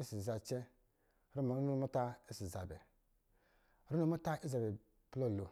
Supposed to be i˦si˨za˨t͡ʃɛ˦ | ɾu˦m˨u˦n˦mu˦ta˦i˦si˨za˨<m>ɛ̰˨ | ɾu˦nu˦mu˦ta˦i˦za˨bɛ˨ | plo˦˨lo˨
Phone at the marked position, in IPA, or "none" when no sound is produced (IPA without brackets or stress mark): b